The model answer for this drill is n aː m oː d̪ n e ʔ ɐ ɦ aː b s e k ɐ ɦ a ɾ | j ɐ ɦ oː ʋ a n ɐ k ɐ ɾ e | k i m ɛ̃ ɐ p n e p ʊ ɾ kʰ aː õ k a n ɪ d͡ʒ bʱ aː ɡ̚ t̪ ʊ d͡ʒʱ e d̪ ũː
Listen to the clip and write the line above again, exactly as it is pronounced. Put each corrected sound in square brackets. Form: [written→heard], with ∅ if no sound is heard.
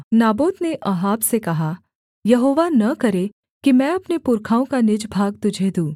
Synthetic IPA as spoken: n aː [m→b] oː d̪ n e ʔ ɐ ɦ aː b s e k ɐ ɦ a [ɾ→∅] | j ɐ ɦ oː ʋ a n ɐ k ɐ ɾ e | k i m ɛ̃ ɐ p n e p ʊ ɾ kʰ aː õ k a n ɪ d͡ʒ bʱ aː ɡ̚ t̪ ʊ d͡ʒʱ e d̪ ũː